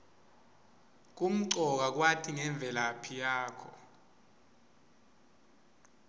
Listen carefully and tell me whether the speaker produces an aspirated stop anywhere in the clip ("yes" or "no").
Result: yes